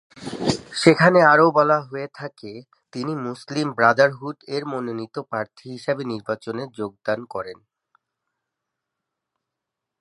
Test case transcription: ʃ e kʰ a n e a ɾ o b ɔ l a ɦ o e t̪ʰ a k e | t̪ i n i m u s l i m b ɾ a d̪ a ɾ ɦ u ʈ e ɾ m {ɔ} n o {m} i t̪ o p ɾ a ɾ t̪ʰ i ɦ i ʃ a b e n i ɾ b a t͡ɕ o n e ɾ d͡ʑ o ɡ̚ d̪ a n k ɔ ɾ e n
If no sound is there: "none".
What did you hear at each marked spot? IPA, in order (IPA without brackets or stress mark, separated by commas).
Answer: o, n